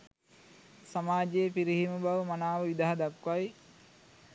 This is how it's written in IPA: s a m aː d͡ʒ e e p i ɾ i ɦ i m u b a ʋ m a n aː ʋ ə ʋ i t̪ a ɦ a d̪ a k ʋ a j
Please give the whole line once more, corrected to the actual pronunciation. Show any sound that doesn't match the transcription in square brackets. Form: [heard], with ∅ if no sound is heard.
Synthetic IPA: s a m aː d͡ʒ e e p i ɾ i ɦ i m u b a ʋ m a n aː ʋ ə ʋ i [d̪] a ɦ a d̪ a k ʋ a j

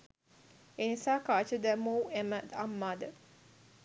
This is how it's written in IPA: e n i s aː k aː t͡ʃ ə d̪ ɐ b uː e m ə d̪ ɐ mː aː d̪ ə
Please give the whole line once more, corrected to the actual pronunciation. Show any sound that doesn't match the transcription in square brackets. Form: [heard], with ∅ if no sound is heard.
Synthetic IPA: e n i s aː k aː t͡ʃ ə d̪ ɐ [m] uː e m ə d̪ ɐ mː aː d̪ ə

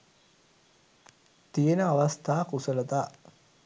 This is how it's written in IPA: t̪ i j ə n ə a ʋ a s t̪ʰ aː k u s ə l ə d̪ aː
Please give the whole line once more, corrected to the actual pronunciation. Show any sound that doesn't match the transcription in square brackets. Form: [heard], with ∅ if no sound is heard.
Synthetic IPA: t̪ i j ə n ə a ʋ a s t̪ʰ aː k u s ə l ə [t̪] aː

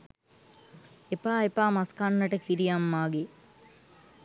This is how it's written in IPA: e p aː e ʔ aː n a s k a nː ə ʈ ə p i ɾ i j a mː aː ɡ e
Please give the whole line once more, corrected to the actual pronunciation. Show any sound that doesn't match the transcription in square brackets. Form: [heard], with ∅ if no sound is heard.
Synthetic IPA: e p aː e [p] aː [m] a s k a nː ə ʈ ə [k] i ɾ i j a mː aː ɡ e

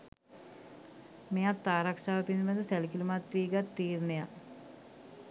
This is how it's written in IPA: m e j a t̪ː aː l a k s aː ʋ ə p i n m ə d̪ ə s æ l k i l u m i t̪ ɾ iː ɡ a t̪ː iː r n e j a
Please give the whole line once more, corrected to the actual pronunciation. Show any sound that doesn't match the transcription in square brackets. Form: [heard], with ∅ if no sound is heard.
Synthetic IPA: m e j a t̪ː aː [ɾ] a k [ʂ] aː ʋ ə p i n m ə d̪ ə s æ l k i l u m [a] t̪ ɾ iː ɡ a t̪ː iː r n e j a

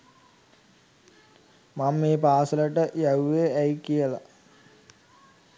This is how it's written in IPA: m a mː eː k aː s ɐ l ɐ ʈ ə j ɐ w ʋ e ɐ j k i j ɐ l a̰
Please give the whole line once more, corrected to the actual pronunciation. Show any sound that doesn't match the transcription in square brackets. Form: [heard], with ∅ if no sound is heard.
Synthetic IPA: m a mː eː [p] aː s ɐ l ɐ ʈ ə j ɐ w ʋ e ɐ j k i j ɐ l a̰

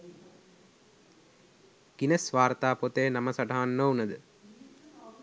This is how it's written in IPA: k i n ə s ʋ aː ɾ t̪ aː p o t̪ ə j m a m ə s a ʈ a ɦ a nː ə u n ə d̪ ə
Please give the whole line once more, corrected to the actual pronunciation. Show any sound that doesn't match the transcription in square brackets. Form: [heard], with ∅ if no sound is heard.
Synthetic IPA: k i n ə s ʋ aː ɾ t̪ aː p o t̪ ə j [n] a m ə s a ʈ a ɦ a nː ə u n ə d̪ ə

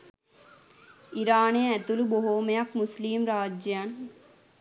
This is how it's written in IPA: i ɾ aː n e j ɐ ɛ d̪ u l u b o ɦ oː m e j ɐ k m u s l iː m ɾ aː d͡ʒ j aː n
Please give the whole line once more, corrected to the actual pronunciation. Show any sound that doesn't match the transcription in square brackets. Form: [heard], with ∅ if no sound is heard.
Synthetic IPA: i ɾ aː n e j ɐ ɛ [t̪] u l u b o ɦ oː m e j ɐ k m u s l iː m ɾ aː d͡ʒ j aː n

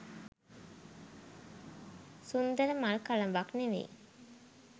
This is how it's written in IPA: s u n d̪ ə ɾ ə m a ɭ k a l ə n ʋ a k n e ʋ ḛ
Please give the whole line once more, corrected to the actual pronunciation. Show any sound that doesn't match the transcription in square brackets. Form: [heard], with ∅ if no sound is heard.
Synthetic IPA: s u n d̪ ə ɾ ə m a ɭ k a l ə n ʋ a k n e ʋ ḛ

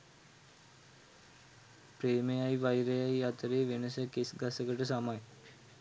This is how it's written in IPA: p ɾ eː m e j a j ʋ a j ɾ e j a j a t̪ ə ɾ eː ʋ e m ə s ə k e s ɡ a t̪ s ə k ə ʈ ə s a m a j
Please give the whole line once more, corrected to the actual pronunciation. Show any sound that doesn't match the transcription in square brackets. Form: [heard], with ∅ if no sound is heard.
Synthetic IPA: p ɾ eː m e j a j ʋ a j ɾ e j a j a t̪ ə ɾ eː ʋ e [n] ə s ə k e s ɡ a [∅] s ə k ə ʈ ə s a m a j

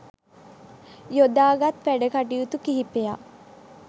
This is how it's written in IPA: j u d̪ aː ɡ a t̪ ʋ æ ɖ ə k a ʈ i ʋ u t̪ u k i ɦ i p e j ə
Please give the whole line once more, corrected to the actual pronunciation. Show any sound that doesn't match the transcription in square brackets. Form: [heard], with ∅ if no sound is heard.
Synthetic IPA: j [o] d̪ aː ɡ a t̪ ʋ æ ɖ ə k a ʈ i [∅] u t̪ u k i ɦ i p e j [a]

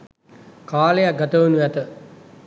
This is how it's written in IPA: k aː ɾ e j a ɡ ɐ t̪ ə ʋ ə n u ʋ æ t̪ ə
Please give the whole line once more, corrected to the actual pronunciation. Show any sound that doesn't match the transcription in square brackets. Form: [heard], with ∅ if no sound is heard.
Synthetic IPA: k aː [l] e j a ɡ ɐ t̪ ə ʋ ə n u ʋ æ t̪ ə

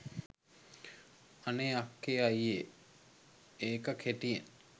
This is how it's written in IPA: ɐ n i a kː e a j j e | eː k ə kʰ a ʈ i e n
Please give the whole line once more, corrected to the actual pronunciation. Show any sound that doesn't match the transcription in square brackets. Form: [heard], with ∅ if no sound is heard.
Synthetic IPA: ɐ n [e] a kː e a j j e | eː k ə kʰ [e] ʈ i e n

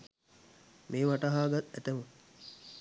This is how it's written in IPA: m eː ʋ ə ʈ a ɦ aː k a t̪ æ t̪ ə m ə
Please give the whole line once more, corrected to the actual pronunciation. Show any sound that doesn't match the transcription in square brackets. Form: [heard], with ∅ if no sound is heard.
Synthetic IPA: m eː ʋ [a] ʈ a ɦ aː [ɡ] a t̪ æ t̪ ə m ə

